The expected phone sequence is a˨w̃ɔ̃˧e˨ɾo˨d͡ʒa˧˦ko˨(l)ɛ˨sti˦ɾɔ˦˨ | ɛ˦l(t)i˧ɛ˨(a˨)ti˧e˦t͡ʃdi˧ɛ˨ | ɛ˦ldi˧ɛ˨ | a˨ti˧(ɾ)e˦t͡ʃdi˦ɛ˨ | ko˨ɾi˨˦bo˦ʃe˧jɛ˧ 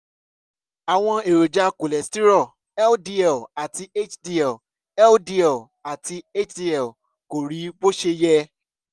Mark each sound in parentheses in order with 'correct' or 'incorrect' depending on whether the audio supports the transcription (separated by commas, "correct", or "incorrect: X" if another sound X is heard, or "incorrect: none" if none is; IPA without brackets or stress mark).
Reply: correct, incorrect: d, correct, incorrect: none